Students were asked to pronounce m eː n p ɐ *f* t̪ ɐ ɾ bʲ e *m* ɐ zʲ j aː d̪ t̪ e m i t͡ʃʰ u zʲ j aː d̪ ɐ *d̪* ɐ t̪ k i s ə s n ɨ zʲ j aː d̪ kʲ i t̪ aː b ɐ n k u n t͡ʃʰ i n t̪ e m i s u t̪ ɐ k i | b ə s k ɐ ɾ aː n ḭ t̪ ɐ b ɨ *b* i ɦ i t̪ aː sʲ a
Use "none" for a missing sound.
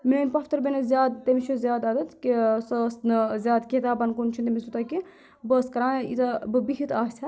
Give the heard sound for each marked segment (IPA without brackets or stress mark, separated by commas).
f, n, d̪, b